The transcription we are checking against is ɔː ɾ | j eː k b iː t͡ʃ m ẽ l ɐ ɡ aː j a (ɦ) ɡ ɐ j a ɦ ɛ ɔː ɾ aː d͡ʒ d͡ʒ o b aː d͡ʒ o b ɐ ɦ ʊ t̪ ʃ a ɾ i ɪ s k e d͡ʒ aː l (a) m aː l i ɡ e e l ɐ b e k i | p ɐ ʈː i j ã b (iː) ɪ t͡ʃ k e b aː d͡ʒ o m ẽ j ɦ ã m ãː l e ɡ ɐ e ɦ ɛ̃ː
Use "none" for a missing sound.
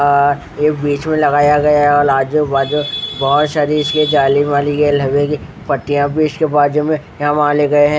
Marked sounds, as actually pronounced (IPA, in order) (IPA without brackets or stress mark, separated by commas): none, i, iː